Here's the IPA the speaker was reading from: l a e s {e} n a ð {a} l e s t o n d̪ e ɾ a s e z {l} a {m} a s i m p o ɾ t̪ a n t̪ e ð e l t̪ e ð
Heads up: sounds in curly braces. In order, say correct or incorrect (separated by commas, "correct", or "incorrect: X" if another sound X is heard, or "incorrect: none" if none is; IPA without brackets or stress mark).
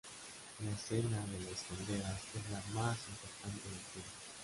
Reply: correct, incorrect: e, correct, correct